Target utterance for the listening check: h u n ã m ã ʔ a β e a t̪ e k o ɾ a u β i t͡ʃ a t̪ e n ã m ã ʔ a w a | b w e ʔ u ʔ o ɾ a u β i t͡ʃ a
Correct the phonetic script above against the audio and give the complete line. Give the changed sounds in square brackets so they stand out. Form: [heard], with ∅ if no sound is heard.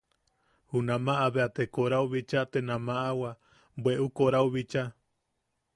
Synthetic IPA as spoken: h u n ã m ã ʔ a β e a t̪ e k o ɾ a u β i t͡ʃ a t̪ e n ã m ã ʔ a w a | b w e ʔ u [k] o ɾ a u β i t͡ʃ a